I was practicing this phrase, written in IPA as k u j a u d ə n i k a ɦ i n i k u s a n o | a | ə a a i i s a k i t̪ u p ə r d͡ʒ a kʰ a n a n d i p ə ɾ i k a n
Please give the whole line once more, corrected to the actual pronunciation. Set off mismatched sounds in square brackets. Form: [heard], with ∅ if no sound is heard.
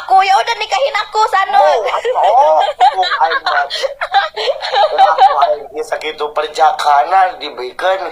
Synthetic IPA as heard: k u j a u d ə n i k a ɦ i n [a] k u s a n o | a | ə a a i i s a k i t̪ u p ə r d͡ʒ a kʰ a n a n d i [b] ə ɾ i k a n